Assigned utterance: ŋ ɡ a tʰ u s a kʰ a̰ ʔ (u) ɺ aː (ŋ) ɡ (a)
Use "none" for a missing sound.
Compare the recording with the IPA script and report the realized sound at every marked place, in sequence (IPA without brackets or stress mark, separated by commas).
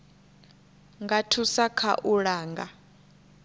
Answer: u, ŋ, a